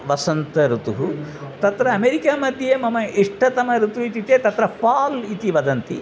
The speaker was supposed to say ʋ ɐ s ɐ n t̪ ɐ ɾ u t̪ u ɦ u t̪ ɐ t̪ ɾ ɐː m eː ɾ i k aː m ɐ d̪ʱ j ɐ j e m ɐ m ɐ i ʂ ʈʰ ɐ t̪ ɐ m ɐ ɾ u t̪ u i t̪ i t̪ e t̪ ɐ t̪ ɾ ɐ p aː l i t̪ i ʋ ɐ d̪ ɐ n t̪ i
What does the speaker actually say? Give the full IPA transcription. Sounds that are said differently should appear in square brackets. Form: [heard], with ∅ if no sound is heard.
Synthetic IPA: ʋ ɐ s ɐ n t̪ ɐ ɾ u t̪ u ɦ u t̪ ɐ t̪ ɾ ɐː m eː ɾ i k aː m ɐ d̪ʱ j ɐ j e m ɐ m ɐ i ʂ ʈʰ ɐ t̪ ɐ m ɐ ɾ u t̪ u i t̪ i t̪ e t̪ ɐ t̪ ɾ ɐ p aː l i t̪ i ʋ ɐ d̪ ɐ n t̪ i